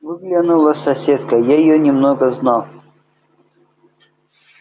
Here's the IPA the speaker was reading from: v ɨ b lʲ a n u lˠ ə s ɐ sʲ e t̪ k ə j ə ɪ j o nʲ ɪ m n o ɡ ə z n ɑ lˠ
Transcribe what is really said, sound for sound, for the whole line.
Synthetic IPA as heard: v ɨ ɡ lʲ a n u lˠ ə s ɐ sʲ e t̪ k ə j a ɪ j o nʲ ɪ m n o ɡ ə z n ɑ lˠ